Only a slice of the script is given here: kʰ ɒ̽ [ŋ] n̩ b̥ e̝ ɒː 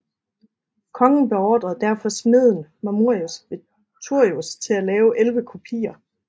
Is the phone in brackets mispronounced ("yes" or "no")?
no